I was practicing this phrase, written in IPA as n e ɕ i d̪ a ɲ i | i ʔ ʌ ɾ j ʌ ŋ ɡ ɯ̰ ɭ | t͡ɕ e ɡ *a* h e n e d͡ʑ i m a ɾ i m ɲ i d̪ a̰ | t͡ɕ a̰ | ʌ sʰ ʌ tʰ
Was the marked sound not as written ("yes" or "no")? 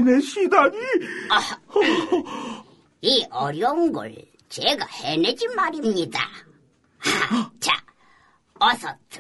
no